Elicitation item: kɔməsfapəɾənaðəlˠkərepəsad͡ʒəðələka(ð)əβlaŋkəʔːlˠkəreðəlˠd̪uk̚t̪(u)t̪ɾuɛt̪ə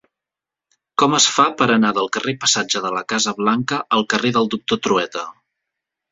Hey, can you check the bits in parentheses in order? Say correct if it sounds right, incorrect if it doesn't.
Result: incorrect: z, incorrect: o

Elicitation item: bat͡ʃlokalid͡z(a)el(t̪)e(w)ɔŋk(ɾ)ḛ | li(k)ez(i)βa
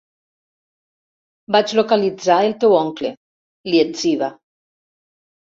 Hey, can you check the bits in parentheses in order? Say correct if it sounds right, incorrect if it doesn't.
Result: correct, correct, correct, incorrect: l, incorrect: none, correct

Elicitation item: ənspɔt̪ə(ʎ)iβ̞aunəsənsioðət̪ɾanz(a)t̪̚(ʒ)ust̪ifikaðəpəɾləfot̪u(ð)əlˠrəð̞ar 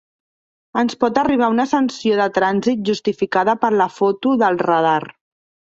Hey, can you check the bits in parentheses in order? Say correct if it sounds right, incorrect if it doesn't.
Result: incorrect: r, incorrect: i, correct, correct

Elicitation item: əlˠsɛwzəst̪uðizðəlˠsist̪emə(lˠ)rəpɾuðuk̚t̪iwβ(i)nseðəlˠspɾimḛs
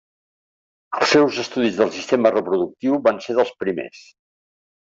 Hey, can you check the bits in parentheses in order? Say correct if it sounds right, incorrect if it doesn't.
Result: incorrect: none, incorrect: a

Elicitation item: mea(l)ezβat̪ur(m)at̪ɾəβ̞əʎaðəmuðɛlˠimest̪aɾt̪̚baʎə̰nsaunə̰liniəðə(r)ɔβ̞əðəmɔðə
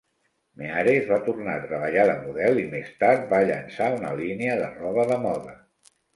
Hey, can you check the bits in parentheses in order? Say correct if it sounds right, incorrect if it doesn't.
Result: incorrect: ɾ, incorrect: n, correct

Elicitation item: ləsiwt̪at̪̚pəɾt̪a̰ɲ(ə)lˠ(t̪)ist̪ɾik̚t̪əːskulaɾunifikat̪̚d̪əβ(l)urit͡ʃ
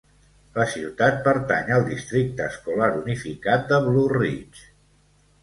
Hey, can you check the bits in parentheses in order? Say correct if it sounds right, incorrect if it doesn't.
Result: correct, incorrect: d̪, correct

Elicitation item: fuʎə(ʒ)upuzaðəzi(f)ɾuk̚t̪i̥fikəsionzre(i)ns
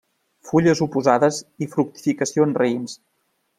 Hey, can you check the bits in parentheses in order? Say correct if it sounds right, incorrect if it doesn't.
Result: incorrect: z, correct, correct

